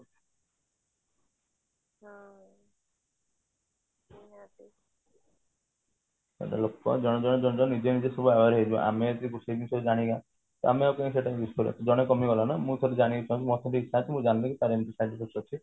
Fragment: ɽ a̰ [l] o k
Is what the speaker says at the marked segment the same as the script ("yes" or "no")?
yes